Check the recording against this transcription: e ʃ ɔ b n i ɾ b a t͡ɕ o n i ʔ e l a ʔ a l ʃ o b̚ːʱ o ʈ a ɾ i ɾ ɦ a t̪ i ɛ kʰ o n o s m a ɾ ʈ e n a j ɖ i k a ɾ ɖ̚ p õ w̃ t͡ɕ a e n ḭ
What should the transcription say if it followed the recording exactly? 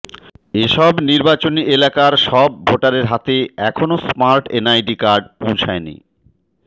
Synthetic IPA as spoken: e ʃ ɔ b n i ɾ b a t͡ɕ o n i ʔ e l a k a ɾ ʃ ɔ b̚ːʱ o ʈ a ɾ e ɾ ɦ a t̪ e ɛ kʰ o n o s m a ɾ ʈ e n a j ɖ i k a ɾ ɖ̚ p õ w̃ t͡ɕʰ a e n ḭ